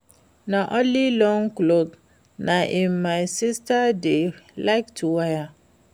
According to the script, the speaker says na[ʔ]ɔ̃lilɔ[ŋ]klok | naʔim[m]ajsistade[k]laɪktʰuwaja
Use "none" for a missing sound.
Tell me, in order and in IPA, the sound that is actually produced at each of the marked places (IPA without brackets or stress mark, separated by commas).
ʔ, ŋ, m, none